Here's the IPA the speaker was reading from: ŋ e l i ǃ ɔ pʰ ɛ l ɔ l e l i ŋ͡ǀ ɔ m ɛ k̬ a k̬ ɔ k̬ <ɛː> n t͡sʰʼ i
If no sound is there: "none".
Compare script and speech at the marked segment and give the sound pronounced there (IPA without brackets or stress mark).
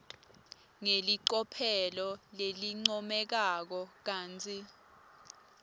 aː